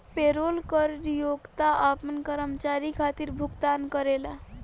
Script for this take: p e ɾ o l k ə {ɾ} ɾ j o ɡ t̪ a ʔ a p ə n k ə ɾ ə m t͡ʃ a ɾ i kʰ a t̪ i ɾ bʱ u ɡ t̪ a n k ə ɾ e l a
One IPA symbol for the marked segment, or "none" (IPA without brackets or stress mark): ɾ